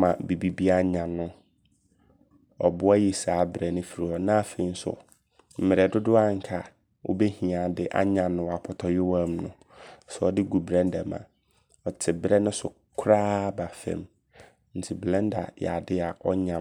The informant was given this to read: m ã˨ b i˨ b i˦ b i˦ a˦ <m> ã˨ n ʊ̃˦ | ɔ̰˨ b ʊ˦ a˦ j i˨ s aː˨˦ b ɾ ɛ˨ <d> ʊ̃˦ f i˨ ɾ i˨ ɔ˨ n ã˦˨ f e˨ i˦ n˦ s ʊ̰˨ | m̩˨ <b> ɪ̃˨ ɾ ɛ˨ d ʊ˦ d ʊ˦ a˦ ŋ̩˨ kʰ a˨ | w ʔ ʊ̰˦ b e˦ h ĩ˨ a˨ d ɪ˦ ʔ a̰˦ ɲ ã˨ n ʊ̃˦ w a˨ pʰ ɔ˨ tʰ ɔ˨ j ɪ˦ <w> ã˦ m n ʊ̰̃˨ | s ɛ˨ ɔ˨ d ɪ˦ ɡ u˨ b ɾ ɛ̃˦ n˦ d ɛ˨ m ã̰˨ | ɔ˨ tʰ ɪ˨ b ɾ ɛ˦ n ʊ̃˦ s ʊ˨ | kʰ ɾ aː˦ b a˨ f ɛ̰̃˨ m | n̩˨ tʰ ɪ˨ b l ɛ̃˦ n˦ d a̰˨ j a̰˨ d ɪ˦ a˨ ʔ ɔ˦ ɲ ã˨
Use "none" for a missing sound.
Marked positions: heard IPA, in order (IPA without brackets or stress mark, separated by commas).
ɲ, n, m, w